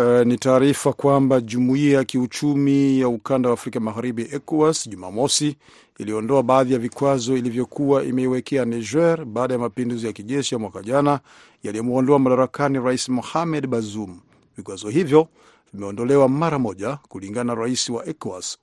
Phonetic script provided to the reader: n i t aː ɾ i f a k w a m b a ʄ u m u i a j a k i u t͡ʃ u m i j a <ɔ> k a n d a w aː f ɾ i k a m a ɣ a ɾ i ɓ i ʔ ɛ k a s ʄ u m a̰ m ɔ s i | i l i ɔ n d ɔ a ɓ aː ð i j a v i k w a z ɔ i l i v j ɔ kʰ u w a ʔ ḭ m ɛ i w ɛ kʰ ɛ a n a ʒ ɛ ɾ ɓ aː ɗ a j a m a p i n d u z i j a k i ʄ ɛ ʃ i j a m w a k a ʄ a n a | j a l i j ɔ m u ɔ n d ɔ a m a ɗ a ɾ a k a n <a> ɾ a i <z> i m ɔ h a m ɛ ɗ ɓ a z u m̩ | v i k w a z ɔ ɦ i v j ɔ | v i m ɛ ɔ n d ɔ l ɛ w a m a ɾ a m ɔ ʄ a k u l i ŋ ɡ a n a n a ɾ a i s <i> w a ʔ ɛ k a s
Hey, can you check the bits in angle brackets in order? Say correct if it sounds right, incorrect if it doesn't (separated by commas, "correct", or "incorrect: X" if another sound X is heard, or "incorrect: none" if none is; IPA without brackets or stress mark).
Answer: incorrect: u, incorrect: i, incorrect: s, correct